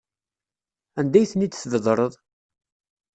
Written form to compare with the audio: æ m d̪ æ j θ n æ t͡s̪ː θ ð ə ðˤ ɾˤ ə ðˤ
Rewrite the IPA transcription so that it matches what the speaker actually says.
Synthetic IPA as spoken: æ n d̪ æ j θ n i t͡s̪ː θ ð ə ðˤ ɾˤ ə ðˤ